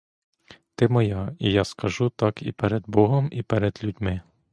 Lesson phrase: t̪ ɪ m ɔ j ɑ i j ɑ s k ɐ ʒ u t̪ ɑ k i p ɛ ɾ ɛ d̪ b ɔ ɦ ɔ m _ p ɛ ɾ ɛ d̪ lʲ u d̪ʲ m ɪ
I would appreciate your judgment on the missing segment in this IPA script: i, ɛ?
i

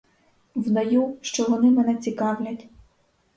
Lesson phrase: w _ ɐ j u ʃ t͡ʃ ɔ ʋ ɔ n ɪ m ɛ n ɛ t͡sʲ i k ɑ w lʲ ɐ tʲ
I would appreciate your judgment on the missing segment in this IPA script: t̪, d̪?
d̪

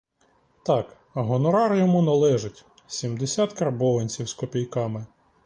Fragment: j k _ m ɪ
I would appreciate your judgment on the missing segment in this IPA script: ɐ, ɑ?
ɑ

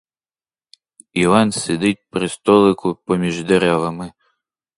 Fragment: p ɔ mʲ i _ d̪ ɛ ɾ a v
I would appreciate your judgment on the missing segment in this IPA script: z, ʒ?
ʒ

